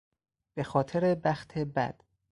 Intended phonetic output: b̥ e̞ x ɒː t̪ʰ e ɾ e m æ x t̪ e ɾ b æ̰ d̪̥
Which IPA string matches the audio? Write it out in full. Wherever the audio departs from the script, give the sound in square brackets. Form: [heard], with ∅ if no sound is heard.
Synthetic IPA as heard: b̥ e̞ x ɒː t̪ʰ e ɾ e [b] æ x [t̪ʰ] e [∅] b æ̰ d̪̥